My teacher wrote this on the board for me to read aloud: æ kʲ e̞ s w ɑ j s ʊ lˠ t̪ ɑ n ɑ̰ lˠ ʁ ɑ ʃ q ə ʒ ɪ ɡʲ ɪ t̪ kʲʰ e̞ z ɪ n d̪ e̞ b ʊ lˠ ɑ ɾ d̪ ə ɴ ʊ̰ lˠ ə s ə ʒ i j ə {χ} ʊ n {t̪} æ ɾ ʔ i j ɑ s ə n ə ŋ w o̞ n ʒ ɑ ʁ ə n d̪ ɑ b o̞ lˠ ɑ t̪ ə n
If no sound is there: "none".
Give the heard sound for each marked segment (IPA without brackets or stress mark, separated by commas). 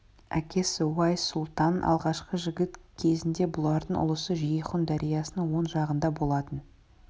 χ, d̪